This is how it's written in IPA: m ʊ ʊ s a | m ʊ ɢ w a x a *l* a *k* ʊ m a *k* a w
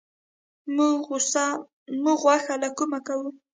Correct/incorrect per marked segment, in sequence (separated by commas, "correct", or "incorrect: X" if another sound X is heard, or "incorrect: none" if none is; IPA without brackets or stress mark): correct, correct, correct